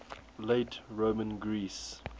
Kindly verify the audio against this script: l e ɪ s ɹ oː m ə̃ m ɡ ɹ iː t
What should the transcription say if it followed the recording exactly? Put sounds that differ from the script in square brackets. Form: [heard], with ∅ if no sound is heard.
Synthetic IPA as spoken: l e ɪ [t] ɹ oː m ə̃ [n] ɡ ɹ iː [s]